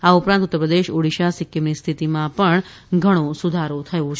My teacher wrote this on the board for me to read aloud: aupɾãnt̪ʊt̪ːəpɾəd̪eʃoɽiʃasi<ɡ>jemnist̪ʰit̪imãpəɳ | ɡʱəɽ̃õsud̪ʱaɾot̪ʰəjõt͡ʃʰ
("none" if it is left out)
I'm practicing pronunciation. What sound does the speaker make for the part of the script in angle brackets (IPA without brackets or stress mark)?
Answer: k